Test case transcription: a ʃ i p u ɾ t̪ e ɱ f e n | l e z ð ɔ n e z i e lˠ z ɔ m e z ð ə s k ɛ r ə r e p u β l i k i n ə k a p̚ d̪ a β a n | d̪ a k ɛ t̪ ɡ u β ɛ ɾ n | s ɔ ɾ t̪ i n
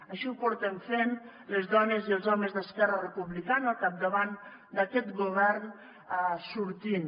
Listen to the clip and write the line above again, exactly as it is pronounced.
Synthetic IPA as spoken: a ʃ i p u ɾ t̪ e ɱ f e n | l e z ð ɔ n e z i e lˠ z ɔ m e z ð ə s k ɛ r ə r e p u β l i k a n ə k a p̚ d̪ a β a n | d̪ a k ɛ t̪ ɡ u β ɛ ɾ n | s u ɾ t̪ i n